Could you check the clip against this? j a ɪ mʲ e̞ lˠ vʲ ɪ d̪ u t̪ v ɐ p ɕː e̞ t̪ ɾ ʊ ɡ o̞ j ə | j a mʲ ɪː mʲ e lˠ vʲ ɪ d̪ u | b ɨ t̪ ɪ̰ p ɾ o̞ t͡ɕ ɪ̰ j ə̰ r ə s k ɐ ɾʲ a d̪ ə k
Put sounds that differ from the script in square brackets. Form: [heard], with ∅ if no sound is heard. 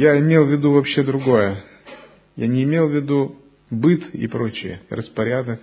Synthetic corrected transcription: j a ɪ mʲ e̞ lˠ vʲ ɪ d̪ u [∅] v ɐ p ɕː e̞ [d̪] ɾ ʊ ɡ o̞ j ə | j a [nʲ] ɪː mʲ e lˠ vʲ ɪ d̪ u | b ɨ t̪ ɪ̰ p ɾ o̞ t͡ɕ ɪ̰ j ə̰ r ə s [p] ɐ ɾʲ a d̪ ə k